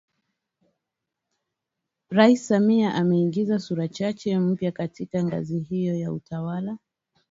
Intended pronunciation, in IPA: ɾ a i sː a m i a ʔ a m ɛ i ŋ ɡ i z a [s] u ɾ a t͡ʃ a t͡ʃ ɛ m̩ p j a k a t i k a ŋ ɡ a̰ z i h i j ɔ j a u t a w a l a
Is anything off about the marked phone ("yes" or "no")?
no